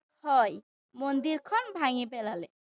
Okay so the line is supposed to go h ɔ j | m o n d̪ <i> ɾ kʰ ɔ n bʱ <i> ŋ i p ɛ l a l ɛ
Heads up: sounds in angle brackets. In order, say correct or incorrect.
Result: correct, incorrect: a

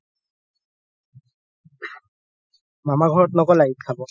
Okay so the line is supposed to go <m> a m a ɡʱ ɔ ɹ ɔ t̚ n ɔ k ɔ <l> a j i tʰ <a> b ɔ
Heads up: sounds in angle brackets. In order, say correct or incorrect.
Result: correct, correct, correct

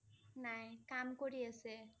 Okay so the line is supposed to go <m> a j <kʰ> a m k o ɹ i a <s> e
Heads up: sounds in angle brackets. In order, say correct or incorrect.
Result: incorrect: n, incorrect: k, correct

